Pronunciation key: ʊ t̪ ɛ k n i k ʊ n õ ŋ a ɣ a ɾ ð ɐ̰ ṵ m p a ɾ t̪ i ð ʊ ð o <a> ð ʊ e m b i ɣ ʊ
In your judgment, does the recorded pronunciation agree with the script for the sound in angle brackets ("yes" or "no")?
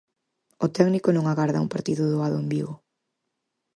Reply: yes